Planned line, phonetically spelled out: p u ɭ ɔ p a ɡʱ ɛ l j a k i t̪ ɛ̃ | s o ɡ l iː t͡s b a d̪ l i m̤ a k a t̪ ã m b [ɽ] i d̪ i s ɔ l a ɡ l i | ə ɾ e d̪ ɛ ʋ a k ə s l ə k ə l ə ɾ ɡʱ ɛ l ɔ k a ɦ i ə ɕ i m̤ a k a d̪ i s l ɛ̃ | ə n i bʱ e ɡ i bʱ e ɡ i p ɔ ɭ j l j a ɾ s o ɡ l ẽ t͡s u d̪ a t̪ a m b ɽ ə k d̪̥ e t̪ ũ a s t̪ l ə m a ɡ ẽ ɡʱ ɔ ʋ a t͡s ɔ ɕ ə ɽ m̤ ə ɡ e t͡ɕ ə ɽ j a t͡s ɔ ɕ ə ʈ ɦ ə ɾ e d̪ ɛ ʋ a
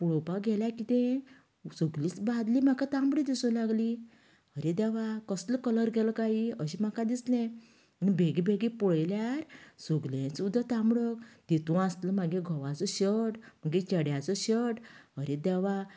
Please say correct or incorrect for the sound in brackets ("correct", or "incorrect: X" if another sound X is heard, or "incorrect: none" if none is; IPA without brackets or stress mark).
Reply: correct